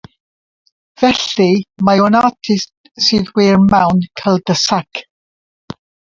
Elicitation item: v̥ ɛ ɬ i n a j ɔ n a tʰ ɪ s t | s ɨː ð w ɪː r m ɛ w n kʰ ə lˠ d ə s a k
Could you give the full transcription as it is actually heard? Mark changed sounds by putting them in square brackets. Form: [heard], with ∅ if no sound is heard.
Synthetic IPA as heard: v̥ ɛ ɬ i [m] a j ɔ n a tʰ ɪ s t | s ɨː ð w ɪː r m [a] w n kʰ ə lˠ d ə s a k